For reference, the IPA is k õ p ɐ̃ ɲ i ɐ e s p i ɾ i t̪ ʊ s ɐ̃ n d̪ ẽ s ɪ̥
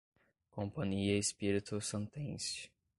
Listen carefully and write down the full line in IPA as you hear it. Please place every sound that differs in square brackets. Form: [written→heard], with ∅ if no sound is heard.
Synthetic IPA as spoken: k õ p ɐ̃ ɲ i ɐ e s p i ɾ i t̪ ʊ s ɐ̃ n [d̪→t̪] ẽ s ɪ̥